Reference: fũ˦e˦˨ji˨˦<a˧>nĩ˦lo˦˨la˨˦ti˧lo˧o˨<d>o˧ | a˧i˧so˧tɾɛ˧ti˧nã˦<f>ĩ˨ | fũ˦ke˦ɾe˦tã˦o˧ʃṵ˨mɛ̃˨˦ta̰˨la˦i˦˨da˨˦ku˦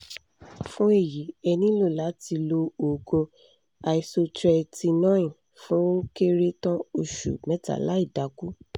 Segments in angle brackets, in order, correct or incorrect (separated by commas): incorrect, incorrect, incorrect